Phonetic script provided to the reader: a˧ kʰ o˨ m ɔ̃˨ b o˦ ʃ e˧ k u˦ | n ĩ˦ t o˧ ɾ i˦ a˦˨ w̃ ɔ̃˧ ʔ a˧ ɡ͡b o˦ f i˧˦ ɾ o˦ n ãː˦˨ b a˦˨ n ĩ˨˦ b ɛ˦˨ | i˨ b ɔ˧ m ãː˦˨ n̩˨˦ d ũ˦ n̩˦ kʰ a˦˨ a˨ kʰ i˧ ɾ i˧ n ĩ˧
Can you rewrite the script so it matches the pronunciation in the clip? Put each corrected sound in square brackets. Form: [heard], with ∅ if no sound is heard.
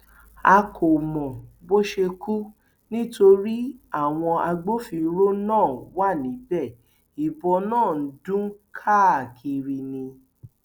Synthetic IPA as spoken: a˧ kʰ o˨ m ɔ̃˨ b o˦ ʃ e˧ k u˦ | n ĩ˦ t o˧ ɾ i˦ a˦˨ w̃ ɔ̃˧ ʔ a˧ ɡ͡b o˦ f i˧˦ ɾ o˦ n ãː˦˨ [w] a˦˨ n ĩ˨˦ b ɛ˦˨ | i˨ b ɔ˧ [n] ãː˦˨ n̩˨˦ d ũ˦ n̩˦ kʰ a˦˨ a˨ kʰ i˧ ɾ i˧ n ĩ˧